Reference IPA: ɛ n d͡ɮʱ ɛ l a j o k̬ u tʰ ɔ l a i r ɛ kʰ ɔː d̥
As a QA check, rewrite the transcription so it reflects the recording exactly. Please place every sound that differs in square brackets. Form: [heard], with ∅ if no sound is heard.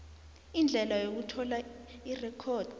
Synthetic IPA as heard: [i] n d͡ɮʱ ɛ l a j o k̬ u tʰ ɔ l a i r ɛ kʰ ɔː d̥

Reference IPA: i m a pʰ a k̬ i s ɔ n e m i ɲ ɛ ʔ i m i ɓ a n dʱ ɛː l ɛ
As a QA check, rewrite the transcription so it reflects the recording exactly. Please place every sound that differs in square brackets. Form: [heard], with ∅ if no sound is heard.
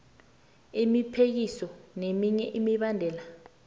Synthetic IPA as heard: i m [i] pʰ [e] k̬ i s ɔ n e m i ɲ ɛ ʔ i m i ɓ a n dʱ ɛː l [a]

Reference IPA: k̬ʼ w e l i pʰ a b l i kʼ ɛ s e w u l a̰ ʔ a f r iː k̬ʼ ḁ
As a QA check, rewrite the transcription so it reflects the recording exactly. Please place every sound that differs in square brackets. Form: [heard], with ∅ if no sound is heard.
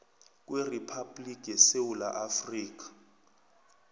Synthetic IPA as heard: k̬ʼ w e [r] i pʰ a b l i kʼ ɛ s e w u l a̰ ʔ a f r iː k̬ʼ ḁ

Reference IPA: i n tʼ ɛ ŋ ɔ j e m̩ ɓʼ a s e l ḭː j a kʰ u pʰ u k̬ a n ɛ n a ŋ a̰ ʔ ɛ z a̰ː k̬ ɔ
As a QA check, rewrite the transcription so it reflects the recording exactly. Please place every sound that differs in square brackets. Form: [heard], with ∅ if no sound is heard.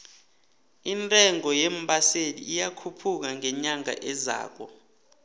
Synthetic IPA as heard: i n tʼ ɛ ŋ ɔ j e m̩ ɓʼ a s e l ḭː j a kʰ u pʰ u k̬ a [ŋ] ɛ [ɲ] a ŋ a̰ ʔ ɛ z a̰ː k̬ ɔ

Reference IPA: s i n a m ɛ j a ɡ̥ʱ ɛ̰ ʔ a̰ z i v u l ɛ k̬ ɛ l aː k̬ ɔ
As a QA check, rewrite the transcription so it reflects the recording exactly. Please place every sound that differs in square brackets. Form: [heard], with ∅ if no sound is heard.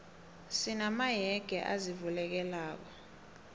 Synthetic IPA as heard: s i n a m [a] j [ɛ] ɡ̥ʱ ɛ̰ ʔ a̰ z i v u l ɛ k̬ ɛ l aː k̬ ɔ

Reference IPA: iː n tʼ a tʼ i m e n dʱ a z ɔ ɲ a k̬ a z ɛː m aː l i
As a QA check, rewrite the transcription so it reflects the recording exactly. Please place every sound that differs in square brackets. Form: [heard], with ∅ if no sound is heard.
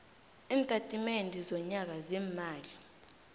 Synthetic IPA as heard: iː n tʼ a tʼ i m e n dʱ [i] z ɔ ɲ a k̬ a z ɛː m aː l i

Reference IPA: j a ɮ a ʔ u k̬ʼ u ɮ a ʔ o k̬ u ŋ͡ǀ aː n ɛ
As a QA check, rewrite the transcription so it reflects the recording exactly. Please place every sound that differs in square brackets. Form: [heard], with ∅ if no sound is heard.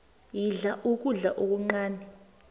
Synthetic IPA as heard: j [i] ɮ a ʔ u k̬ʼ u ɮ a ʔ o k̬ u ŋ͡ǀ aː n ɛ

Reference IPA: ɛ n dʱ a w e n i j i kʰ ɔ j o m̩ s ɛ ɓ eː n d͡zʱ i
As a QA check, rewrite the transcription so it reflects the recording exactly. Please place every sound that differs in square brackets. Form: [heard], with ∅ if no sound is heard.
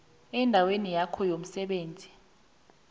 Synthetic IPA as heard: ɛ n dʱ a w e n i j [a] kʰ ɔ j o m̩ s ɛ ɓ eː n d͡zʱ i

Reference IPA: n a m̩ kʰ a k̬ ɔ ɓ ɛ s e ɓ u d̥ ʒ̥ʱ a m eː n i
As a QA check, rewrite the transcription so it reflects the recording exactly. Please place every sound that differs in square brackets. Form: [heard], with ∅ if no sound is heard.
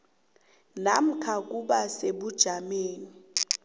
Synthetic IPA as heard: n a m̩ kʰ a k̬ [u] ɓ [a] s e ɓ u d̥ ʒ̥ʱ a m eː n i

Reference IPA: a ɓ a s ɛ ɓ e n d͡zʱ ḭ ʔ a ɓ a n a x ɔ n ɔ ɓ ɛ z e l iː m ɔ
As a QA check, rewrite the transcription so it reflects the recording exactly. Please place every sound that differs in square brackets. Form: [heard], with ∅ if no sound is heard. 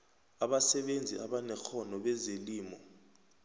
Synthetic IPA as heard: a ɓ a s ɛ ɓ e n d͡zʱ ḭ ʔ a ɓ a n [ɛ] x ɔ n ɔ ɓ ɛ z e l iː m ɔ

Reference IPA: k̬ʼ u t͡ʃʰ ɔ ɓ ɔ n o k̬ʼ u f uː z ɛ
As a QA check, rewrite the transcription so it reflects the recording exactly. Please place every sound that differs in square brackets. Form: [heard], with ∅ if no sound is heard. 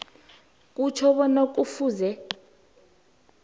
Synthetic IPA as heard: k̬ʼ u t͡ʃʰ ɔ ɓ ɔ n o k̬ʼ u f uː z ɛ

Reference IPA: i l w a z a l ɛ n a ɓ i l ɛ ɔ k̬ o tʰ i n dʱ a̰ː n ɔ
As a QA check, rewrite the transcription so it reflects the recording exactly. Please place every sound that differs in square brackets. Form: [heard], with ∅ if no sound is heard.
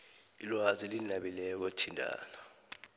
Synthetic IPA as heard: i l w a z [i] l [i] n a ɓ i l ɛ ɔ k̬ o tʰ i n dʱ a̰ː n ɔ

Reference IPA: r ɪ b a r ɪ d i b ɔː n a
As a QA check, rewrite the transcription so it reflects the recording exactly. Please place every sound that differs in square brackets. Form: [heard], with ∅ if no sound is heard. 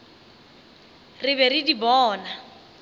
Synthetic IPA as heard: r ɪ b [ɛ] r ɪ d i b ɔː n a

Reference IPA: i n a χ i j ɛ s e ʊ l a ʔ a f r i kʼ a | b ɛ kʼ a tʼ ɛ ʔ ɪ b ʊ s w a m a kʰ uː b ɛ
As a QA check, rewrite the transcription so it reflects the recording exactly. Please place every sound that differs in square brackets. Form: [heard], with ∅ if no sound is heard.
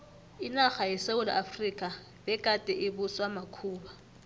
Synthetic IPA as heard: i n a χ [a] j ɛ s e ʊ l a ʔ a f r i kʼ a | b ɛ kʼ a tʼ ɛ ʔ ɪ b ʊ s w a m a kʰ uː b [a]

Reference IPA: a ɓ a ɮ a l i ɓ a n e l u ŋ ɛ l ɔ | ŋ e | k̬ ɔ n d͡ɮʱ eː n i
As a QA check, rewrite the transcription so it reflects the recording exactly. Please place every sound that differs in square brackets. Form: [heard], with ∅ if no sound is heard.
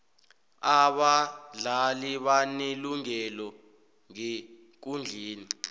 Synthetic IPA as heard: a ɓ a ɮ a l i ɓ a n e l u ŋ ɛ l ɔ | ŋ e | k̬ [u] n d͡ɮʱ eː n i

